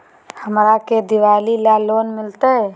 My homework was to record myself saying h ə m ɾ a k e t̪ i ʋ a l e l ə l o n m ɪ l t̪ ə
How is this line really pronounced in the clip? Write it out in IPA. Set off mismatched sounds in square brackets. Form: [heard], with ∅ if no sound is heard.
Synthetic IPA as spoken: h ə m ɾ a k e [d̪] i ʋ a l [i] l [a] l o n m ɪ l t̪ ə